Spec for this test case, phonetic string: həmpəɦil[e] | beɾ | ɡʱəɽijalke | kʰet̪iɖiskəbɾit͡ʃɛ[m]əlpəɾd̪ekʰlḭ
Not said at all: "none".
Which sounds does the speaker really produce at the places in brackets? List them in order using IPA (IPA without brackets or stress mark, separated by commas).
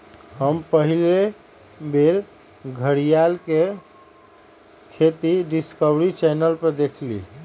e, n